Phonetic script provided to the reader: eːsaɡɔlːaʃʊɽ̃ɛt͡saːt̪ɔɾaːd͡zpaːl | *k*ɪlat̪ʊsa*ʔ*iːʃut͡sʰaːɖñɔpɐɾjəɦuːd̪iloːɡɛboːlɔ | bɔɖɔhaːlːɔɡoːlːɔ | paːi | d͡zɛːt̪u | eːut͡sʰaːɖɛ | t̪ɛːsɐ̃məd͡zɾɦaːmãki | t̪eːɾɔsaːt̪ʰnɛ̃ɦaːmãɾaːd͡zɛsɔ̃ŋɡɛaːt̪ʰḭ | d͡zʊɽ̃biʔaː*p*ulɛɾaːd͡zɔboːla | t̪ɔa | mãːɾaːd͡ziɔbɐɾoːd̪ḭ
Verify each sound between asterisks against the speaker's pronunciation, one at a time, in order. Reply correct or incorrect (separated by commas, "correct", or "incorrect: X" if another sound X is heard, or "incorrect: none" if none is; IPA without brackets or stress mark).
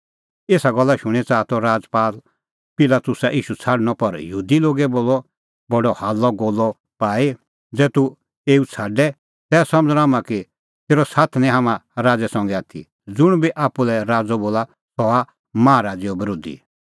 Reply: incorrect: p, correct, correct